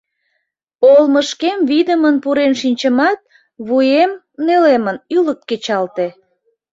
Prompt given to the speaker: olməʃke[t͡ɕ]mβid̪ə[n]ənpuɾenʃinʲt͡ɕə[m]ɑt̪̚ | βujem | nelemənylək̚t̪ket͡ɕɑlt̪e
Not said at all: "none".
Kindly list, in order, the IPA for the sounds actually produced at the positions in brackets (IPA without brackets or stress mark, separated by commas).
none, m, m